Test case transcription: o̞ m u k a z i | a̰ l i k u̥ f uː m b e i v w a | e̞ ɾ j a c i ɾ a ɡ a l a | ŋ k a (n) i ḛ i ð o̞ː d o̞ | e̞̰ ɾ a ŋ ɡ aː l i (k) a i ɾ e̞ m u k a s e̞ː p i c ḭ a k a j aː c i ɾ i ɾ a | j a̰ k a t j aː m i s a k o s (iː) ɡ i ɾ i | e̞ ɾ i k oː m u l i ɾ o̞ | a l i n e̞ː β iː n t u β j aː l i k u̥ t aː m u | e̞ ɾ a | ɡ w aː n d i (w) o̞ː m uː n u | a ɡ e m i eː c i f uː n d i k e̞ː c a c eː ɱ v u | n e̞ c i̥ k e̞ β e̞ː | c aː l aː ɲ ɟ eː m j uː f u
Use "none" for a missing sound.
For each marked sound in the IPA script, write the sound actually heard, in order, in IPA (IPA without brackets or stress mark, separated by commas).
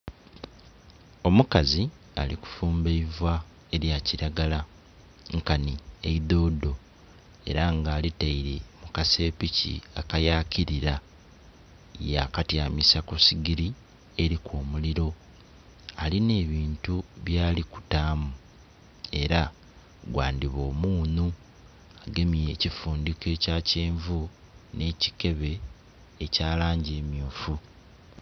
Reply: n, t, i, β